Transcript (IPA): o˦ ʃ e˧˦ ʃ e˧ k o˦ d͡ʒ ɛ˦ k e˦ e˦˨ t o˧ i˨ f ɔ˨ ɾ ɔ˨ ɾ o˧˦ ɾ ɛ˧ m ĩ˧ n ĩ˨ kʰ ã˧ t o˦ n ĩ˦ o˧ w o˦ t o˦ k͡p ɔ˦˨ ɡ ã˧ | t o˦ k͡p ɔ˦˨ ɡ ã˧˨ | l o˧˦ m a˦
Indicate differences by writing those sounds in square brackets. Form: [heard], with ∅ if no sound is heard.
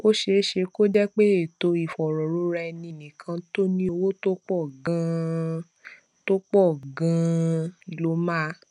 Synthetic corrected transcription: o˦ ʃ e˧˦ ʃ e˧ k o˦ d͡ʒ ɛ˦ [k͡p] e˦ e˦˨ t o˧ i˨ f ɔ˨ ɾ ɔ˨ ɾ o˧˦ ɾ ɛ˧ [n] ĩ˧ n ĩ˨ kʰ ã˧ t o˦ n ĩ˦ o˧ w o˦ t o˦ k͡p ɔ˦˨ ɡ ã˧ | t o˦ k͡p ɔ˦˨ ɡ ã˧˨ | l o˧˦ m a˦

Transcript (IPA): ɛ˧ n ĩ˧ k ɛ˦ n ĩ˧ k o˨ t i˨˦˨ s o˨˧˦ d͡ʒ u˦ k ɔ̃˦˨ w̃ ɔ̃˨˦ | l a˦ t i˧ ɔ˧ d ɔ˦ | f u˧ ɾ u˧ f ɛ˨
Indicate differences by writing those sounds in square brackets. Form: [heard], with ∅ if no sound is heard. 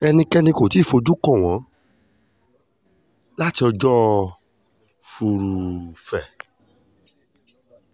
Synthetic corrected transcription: ɛ˧ n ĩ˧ k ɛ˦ n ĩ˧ k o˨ t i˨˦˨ [f] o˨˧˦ d͡ʒ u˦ k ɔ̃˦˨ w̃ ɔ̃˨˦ | l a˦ t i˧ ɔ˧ [d͡ʒ] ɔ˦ | f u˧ ɾ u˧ f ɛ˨

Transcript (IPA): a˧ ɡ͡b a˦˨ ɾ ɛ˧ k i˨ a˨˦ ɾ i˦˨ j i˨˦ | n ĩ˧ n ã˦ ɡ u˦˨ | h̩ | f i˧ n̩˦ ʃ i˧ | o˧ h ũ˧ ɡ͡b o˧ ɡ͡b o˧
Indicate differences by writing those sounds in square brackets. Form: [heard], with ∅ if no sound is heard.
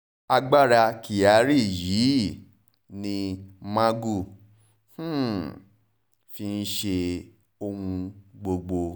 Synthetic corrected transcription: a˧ ɡ͡b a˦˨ ɾ [a˧] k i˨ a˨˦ ɾ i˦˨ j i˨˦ | n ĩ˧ [m] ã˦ ɡ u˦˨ | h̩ | f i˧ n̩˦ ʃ [e˧] | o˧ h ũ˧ ɡ͡b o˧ ɡ͡b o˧

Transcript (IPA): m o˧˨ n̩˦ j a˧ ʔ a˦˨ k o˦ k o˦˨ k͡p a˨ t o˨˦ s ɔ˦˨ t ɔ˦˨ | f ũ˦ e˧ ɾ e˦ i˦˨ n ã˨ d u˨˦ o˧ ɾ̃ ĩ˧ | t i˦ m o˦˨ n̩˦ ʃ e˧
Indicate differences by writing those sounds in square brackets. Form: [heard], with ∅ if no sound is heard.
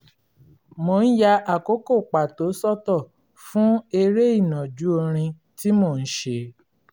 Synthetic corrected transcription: m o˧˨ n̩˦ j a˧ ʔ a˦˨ k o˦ k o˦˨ k͡p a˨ t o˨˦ s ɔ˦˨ t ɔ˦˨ | f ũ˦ e˧ ɾ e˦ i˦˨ n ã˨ [d͡ʒ] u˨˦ o˧ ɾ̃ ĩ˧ | t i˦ m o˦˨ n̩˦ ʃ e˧

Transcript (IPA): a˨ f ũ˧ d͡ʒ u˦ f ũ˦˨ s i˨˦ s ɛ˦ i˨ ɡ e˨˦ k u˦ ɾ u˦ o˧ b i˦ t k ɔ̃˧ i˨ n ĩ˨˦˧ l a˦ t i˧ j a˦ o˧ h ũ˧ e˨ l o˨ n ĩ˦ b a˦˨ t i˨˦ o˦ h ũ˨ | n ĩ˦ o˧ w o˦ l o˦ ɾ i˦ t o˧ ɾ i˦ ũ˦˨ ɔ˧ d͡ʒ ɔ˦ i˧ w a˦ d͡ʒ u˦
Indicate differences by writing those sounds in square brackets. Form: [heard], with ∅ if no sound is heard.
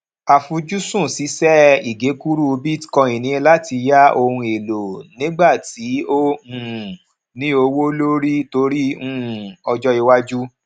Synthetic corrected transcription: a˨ f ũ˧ d͡ʒ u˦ [s] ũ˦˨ s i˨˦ s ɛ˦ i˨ ɡ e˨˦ k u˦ ɾ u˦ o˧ b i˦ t k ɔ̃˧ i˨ n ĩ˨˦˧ l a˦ t i˧ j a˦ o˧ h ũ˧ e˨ l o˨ n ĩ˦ [ɡ͡b] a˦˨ t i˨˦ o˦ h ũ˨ | n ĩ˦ o˧ w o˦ l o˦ ɾ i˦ t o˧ ɾ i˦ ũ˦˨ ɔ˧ d͡ʒ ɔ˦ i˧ w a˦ d͡ʒ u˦

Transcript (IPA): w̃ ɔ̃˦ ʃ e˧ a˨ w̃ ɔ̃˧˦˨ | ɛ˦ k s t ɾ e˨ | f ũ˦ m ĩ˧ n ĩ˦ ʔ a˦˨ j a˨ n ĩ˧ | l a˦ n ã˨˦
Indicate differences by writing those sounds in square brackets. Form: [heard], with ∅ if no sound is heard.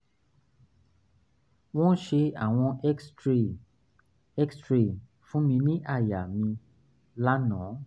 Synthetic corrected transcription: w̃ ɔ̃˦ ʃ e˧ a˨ w̃ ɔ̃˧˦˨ | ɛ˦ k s t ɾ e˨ | f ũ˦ m ĩ˧ n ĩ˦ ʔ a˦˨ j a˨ [m] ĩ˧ | l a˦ n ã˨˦

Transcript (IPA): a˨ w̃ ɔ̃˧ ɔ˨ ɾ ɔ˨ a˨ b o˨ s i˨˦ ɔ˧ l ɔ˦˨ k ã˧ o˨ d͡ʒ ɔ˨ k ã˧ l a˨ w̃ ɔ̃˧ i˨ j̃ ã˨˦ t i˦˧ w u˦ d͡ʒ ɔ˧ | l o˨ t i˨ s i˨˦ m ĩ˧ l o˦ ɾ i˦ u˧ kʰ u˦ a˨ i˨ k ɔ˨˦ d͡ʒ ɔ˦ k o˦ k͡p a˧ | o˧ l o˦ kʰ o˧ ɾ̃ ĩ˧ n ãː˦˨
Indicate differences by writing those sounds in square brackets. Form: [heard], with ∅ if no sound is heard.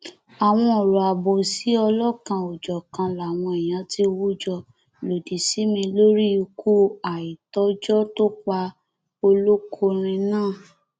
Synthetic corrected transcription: a˨ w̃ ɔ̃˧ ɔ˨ ɾ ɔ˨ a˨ b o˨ s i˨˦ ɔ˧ l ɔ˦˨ k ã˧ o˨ d͡ʒ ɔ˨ k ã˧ l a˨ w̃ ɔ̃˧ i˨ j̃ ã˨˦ t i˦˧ w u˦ d͡ʒ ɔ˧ | l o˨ [d] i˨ s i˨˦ m ĩ˧ l o˦ ɾ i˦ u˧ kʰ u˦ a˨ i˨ [t] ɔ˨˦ d͡ʒ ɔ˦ [t] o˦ k͡p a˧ | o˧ l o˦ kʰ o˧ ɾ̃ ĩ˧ n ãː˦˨

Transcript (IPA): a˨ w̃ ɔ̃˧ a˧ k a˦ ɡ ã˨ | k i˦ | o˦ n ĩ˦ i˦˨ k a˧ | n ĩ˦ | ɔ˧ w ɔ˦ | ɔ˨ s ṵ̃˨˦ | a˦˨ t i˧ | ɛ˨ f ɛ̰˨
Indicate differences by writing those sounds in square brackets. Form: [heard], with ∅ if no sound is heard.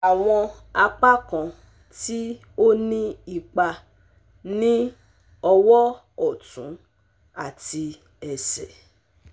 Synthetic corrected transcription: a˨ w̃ ɔ̃˧ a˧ [k͡p] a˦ [k] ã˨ | [t] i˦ | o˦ n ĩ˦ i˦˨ [k͡p] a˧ | n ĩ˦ | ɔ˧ w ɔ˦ | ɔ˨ [t] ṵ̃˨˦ | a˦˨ t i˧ | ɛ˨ [s] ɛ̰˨

